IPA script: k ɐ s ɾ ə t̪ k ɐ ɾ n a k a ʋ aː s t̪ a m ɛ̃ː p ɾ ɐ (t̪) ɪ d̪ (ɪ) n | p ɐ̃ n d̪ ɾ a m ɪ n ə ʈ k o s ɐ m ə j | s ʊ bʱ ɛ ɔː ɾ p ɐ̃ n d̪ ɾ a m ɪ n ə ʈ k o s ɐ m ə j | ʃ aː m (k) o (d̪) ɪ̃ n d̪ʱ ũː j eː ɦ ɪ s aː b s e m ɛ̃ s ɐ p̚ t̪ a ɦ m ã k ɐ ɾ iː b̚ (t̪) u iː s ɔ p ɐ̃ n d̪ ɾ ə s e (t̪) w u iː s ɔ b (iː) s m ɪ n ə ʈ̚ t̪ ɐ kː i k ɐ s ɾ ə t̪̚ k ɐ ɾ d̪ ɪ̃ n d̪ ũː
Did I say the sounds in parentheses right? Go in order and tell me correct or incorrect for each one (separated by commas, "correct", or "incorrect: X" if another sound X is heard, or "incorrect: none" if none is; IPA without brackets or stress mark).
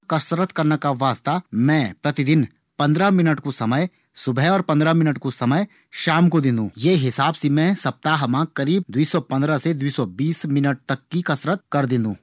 correct, correct, correct, correct, incorrect: d̪, incorrect: d̪, correct